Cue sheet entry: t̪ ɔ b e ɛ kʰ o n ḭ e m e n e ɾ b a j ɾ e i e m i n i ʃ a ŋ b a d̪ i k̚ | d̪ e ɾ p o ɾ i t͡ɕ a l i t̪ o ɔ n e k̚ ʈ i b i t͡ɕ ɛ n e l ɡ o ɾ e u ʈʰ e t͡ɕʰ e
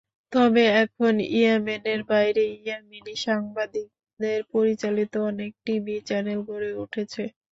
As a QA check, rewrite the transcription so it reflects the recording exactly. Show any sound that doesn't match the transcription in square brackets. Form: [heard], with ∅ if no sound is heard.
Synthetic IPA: t̪ ɔ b e ɛ kʰ o n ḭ e m e n e ɾ b a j ɾ e i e m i n i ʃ a ŋ b a d̪ i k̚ | d̪ e ɾ p o ɾ i t͡ɕ a l i t̪ o ɔ n e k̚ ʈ i b i t͡ɕ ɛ n e l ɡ o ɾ e u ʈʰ e t͡ɕʰ e